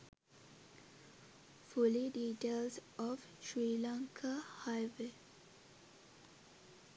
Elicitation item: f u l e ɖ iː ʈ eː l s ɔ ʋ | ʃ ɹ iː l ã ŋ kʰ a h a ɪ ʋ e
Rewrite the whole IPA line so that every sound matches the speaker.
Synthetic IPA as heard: f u l i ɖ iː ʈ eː l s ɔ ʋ | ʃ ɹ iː l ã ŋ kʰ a h a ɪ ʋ e